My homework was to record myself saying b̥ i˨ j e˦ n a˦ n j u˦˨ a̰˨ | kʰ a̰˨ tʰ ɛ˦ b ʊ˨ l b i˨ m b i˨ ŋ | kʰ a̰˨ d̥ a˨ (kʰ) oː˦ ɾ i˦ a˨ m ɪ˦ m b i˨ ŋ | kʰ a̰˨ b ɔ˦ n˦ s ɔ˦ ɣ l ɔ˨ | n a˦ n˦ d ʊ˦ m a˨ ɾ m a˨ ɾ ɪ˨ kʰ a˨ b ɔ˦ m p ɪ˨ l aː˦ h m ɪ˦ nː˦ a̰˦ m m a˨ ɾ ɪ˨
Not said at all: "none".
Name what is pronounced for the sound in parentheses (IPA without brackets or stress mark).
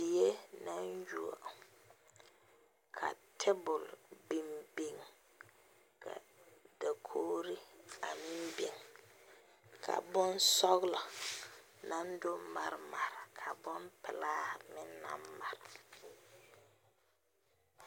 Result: kʰ